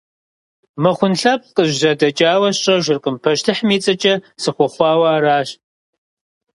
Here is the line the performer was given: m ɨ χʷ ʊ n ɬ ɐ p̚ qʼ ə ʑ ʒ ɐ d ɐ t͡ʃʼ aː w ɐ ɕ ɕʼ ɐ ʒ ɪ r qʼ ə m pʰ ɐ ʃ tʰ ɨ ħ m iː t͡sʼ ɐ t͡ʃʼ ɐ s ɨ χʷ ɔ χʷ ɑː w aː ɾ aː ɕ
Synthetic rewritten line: m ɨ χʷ ʊ n ɬ ɐ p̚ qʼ ə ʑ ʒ ɐ d ɐ t͡ʃʼ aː w ɐ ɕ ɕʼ ɐ ʒ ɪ r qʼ ə m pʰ ɐ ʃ tʰ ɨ ħ m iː t͡sʼ ɐ t͡ʃʼ ɐ s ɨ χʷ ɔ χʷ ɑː w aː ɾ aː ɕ